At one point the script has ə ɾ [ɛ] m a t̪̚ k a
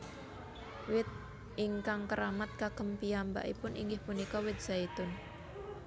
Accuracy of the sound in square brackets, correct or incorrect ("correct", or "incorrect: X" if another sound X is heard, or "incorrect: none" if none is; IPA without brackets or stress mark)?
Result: incorrect: a